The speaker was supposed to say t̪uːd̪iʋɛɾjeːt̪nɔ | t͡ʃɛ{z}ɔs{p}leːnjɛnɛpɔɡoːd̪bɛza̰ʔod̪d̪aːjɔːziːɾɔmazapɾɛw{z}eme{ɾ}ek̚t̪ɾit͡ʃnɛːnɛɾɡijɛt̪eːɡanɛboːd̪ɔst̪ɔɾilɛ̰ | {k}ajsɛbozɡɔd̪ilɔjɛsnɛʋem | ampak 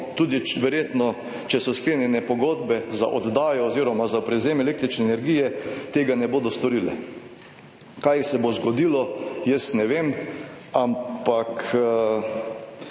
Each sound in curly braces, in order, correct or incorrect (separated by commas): incorrect, incorrect, correct, incorrect, correct